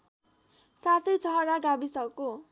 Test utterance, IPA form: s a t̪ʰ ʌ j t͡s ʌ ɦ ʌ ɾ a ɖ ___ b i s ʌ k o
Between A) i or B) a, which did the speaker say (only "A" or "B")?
B